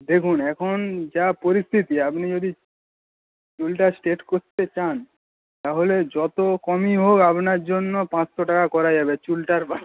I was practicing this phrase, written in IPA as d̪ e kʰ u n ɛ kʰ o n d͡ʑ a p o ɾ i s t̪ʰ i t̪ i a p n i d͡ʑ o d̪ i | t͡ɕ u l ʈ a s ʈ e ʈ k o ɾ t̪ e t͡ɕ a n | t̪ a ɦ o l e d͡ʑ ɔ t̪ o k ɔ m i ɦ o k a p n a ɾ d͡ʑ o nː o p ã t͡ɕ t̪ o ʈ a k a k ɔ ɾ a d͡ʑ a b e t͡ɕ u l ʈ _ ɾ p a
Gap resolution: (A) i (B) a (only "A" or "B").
B